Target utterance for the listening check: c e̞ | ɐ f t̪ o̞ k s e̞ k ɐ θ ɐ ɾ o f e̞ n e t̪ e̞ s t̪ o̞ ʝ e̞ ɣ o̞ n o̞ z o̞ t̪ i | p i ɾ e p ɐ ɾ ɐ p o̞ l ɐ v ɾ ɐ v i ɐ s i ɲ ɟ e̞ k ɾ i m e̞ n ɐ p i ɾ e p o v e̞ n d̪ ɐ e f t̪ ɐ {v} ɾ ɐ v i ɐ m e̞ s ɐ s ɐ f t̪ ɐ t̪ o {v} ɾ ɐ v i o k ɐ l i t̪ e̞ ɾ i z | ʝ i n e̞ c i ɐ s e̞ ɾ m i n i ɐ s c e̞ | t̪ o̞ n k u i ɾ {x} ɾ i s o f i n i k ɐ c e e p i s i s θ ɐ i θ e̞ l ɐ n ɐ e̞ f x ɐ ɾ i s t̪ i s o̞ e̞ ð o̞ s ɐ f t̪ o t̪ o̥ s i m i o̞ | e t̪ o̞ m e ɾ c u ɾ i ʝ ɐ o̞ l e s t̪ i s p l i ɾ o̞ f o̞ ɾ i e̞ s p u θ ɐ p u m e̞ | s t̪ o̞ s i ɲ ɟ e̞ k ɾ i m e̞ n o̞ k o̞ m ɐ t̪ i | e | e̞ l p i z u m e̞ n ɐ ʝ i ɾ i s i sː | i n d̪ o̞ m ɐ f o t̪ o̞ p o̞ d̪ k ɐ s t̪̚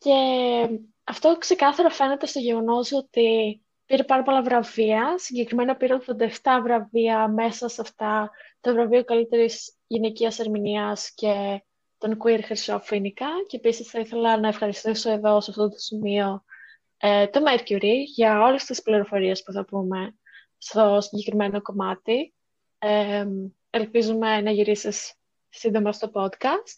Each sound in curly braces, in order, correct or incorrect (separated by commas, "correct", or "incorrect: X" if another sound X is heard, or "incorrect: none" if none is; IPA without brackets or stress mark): correct, correct, correct